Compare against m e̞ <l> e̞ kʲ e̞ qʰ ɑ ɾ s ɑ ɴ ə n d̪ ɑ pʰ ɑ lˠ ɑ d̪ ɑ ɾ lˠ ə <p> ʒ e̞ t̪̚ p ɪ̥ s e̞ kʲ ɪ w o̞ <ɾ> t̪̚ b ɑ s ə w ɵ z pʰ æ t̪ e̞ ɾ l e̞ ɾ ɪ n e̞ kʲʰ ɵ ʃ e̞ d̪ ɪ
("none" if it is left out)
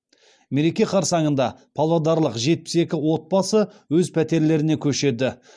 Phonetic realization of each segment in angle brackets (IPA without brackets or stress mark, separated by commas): ɾ, q, none